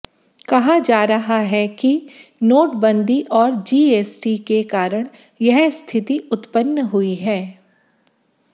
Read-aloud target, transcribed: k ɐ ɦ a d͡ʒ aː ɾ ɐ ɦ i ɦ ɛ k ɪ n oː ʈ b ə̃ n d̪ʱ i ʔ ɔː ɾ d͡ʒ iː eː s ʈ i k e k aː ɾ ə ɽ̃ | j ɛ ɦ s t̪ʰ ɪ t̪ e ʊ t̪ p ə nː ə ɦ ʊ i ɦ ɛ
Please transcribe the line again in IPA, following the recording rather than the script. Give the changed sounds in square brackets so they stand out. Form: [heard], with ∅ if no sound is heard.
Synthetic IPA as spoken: k ɐ ɦ a d͡ʒ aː ɾ ɐ ɦ [a] ɦ ɛ k [i] n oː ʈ b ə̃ n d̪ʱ i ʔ ɔː ɾ d͡ʒ iː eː s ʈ i k e k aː ɾ ə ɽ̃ | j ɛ ɦ s t̪ʰ ɪ t̪ [i] ʊ t̪ p ə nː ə ɦ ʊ i ɦ [ɛː]